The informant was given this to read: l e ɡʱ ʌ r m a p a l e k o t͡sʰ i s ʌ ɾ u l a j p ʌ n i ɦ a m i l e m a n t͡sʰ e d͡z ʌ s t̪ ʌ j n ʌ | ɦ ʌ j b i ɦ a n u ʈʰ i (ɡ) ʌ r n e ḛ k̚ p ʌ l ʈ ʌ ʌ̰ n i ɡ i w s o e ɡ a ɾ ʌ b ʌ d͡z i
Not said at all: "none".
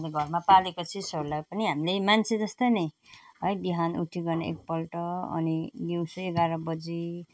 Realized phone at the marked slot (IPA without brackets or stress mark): ɡ